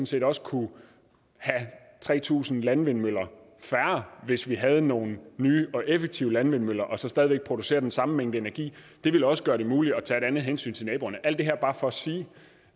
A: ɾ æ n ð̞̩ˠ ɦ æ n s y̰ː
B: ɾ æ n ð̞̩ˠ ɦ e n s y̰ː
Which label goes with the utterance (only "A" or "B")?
B